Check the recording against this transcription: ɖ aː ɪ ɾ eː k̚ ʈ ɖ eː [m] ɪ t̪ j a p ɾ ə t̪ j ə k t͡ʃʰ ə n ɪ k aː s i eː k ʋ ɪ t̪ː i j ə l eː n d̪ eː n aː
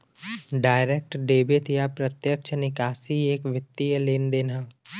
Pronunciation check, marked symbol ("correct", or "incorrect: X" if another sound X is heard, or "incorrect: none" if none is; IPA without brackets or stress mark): incorrect: b